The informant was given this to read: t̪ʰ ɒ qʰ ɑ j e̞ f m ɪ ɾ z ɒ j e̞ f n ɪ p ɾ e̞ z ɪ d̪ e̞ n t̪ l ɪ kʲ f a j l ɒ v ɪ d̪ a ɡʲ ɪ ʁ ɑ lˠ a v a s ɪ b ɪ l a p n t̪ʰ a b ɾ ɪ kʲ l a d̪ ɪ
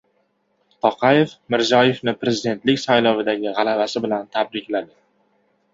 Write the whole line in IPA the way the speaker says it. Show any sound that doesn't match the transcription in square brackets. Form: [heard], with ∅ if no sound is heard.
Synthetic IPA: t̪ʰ ɒ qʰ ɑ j e̞ f m ɪ ɾ z ɒ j e̞ f n ɪ p ɾ e̞ z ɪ d̪ e̞ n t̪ l ɪ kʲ [s] a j l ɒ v ɪ d̪ a ɡʲ ɪ ʁ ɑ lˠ a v a s ɪ b ɪ l a [∅] n t̪ʰ a b ɾ ɪ kʲ l a d̪ ɪ